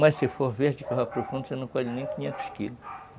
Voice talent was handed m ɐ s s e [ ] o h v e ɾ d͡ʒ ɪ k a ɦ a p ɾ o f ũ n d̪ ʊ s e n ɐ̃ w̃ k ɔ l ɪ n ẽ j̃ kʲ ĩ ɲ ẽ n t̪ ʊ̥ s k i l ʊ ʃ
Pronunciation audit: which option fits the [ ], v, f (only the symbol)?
f